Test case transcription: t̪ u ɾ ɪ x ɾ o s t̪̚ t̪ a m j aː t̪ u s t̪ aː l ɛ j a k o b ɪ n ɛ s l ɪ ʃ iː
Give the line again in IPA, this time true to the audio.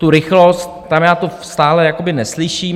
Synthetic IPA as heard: t̪ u ɾ ɪ x l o s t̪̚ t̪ a m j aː t̪ o s t̪ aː l ɛ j a k o b ɪ n ɛ s l ɪ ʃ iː